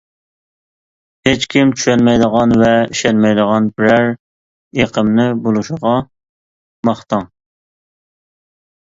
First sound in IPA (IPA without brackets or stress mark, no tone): h